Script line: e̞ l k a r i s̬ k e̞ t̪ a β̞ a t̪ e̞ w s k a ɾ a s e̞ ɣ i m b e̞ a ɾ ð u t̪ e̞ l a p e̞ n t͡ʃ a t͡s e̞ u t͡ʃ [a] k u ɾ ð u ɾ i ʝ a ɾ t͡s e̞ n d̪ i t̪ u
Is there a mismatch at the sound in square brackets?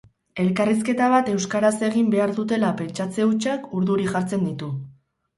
no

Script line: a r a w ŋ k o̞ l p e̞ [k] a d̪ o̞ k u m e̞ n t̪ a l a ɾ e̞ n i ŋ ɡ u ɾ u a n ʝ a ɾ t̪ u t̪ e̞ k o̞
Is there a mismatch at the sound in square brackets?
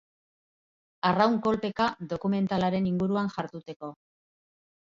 no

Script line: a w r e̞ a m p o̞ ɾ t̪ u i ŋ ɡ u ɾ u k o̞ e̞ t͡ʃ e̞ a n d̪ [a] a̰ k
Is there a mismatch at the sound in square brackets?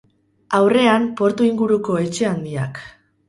yes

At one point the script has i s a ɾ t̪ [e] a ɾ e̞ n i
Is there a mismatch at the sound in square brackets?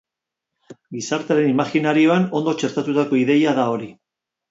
no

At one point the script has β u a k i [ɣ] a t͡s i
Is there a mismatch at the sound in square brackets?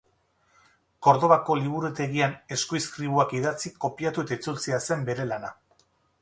yes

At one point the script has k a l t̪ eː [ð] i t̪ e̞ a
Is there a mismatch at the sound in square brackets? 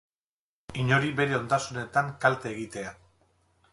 yes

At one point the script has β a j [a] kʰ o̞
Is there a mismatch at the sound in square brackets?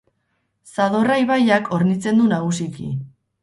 no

